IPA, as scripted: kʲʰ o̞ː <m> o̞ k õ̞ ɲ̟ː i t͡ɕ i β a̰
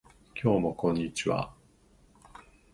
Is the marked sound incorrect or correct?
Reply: correct